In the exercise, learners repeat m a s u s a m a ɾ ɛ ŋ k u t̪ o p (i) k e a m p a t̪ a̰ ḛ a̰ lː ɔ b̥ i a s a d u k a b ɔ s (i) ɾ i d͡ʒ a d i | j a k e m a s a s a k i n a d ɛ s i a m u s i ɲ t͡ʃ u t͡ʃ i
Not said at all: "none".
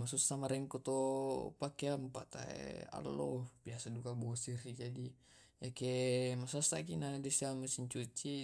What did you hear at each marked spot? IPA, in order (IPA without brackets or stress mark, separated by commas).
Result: a, i